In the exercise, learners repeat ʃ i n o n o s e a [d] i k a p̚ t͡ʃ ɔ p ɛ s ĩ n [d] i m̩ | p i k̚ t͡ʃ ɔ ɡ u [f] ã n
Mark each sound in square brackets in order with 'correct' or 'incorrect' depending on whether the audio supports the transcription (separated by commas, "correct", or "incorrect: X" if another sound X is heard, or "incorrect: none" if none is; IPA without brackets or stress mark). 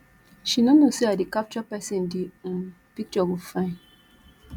correct, correct, correct